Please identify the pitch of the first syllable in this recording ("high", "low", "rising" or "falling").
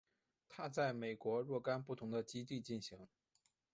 high